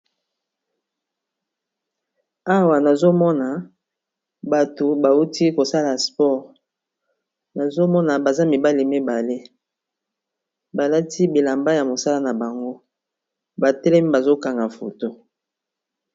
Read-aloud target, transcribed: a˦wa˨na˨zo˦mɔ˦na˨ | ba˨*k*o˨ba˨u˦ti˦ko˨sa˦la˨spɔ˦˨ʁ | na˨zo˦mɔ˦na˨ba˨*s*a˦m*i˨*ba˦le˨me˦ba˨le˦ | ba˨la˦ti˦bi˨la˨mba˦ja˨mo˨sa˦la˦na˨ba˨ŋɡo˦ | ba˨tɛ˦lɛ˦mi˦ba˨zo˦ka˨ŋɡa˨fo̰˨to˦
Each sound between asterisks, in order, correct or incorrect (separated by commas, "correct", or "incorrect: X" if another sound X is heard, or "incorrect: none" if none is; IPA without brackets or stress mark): incorrect: t, incorrect: z, correct